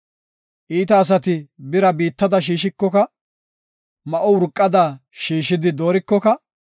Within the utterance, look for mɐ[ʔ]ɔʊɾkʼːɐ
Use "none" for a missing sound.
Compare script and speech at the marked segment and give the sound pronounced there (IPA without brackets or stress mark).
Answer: ʔ